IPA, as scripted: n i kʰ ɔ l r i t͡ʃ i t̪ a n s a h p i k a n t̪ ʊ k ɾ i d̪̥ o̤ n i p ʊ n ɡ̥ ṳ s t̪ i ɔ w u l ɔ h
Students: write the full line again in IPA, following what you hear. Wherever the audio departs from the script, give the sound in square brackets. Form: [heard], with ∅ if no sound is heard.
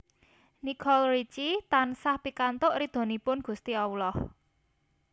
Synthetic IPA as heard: n i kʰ ɔ l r i t͡ʃ i t̪ a n s a h p i k a n t̪ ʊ [ʔ] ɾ i d̪̥ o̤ n i p ʊ n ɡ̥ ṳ s t̪ i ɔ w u l ɔ h